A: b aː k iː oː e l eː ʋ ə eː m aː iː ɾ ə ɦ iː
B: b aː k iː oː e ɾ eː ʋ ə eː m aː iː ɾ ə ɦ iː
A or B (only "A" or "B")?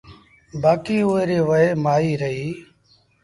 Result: B